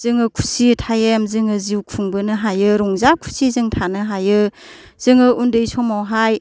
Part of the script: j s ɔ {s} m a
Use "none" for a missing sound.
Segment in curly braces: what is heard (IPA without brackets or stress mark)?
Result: none